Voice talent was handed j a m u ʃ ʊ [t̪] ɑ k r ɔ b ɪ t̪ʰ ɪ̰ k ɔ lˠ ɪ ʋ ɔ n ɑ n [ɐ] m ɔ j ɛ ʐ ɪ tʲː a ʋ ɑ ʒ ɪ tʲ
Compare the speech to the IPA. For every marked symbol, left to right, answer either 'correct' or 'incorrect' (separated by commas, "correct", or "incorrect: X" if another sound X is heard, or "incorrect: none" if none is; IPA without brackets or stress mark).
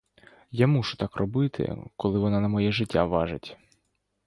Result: correct, correct